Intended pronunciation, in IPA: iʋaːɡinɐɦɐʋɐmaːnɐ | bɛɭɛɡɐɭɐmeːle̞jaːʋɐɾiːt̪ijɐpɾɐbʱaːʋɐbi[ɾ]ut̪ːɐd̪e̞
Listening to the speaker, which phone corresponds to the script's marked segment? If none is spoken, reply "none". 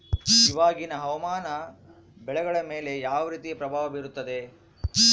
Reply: ɾ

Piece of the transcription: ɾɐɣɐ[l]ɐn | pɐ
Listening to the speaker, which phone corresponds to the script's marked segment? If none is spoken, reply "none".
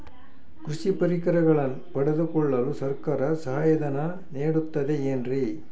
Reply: ɭ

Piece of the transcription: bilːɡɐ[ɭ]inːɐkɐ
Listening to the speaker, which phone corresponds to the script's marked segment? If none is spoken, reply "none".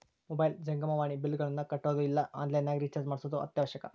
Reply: ɭ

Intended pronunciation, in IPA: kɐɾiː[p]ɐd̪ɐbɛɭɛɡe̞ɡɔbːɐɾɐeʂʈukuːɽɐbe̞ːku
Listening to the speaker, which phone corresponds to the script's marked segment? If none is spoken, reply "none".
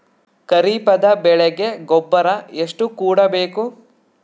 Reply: p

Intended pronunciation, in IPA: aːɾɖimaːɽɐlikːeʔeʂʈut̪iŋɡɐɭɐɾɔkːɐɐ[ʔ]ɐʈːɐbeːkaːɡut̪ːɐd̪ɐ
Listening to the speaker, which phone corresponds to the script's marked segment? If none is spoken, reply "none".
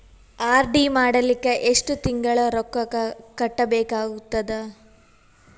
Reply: k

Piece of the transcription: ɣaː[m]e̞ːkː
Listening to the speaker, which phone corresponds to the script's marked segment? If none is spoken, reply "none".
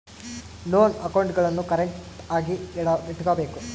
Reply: b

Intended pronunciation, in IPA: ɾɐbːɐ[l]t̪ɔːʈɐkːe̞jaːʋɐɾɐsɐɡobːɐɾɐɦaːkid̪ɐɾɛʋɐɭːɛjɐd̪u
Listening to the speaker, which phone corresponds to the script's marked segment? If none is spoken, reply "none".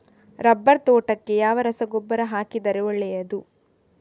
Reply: ɾ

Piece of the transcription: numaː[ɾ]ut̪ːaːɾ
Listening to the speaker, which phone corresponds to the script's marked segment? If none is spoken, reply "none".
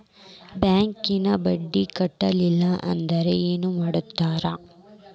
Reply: ɽ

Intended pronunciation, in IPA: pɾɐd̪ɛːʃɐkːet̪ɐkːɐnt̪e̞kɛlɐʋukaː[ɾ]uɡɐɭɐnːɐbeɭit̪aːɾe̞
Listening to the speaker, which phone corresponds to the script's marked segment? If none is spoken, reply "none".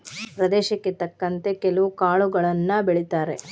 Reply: ɭ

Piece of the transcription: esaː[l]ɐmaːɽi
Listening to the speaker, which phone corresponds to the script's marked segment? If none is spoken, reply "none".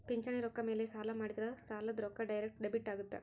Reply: l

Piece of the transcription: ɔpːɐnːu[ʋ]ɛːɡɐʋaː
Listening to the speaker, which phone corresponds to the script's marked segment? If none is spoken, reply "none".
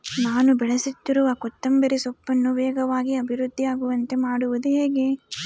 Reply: ʋ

